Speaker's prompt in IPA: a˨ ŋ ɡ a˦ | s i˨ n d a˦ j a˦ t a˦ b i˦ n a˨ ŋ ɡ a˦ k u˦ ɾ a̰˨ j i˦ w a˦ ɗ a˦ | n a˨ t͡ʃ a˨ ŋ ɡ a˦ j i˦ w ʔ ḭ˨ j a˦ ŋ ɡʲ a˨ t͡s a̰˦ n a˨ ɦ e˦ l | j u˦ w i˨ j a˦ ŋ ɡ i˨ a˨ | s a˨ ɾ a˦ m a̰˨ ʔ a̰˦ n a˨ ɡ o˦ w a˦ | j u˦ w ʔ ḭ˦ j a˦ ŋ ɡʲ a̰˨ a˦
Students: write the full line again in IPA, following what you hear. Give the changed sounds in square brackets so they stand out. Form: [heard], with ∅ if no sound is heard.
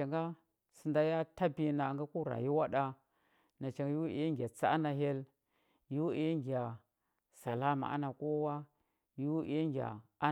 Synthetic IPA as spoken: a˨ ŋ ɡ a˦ | s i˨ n d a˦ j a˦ t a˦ b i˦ n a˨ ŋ ɡ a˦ k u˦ ɾ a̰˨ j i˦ w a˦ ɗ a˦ | n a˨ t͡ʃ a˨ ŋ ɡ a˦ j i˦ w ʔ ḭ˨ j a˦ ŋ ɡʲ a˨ t͡s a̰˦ n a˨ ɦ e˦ l | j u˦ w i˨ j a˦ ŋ ɡ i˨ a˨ | s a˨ [l] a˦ m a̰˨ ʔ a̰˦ n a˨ [k] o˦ w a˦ | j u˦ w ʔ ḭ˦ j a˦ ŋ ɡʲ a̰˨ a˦